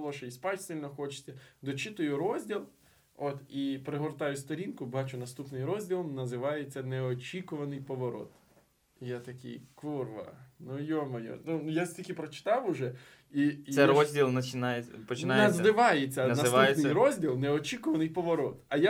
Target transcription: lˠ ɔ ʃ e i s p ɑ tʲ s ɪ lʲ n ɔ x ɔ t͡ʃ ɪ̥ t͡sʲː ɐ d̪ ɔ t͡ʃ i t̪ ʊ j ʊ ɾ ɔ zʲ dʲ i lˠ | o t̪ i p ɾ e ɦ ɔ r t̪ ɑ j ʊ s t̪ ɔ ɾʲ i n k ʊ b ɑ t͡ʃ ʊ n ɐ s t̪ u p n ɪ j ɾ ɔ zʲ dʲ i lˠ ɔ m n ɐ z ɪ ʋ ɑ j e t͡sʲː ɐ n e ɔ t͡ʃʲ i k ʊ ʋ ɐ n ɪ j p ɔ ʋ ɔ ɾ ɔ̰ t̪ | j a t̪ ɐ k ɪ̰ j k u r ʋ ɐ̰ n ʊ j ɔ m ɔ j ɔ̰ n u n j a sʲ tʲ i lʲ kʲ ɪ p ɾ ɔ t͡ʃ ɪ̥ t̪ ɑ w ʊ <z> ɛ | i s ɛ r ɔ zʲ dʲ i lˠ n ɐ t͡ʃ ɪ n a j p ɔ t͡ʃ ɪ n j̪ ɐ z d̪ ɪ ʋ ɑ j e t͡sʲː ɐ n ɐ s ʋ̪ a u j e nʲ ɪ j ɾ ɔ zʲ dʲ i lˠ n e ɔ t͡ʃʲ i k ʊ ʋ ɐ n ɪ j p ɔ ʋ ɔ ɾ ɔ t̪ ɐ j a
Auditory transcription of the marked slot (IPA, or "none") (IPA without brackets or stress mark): ʒ